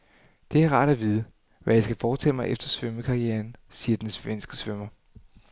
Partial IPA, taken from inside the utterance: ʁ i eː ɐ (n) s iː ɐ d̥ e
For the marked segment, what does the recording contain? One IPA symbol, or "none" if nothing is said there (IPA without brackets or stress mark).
n